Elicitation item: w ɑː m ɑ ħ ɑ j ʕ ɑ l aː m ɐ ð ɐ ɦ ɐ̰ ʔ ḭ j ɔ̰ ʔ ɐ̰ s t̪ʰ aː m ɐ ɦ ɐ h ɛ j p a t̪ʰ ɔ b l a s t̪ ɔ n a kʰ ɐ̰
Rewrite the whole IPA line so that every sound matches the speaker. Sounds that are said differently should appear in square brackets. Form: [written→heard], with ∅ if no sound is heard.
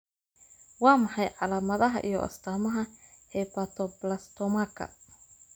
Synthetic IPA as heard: w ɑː m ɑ ħ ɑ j ʕ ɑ l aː m ɐ ð ɐ ɦ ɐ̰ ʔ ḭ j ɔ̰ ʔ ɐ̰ s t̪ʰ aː m ɐ ɦ ɐ h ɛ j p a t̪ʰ ɔ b l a s t̪ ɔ [n→m] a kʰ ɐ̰